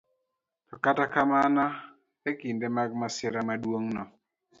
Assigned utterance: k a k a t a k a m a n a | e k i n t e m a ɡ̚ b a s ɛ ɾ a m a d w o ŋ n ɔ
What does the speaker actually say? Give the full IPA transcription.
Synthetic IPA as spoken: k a k a t a k a m a n a | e k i n d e m a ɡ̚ m a s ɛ ɾ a m a d w o ŋ n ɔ